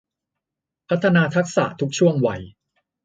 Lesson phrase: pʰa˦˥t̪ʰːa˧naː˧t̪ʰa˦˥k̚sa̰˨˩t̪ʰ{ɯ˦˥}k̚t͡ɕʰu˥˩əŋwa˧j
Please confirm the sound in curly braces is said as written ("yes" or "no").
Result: no